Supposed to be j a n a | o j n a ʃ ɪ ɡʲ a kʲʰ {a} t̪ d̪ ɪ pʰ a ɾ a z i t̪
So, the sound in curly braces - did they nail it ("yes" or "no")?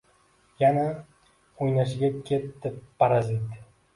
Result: no